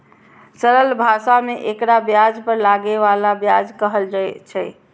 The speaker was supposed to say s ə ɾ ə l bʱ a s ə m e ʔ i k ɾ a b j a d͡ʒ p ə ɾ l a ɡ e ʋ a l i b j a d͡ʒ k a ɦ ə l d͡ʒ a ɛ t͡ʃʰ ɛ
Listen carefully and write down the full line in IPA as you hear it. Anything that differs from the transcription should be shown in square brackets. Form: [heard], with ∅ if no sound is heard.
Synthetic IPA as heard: s ə ɾ ə l bʱ a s [a] m e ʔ [e] k ɾ a b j a d͡ʒ p ə ɾ l a ɡ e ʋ a l [a] b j a d͡ʒ k [ə] ɦ ə l d͡ʒ a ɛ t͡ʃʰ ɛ